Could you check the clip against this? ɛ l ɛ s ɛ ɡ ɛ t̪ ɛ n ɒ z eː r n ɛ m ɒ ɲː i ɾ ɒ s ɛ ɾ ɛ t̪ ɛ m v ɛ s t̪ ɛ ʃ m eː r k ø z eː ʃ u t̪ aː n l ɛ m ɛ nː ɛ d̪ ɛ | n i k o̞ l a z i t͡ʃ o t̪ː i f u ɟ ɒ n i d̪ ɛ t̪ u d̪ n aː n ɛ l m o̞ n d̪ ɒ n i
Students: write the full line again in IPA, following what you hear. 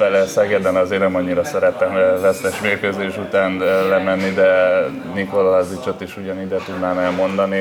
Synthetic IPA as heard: ɛ l ɛ s ɛ ɡ ɛ d̪ ɛ n ɒ z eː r n ɛ m ɒ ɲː i ɾ ɒ s ɛ ɾ ɛ t̪ ɛ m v ɛ s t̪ ɛ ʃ m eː r k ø z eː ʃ u t̪ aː n l ɛ m ɛ nː i d̪ ɛ | n i k o̞ l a z i t͡ʃ o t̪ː i ʃ u ɟ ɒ n i d̪ ɛ t̪ u d̪ n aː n ɛ l m o̞ n d̪ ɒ n i